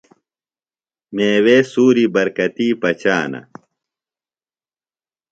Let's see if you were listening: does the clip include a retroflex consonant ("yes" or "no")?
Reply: no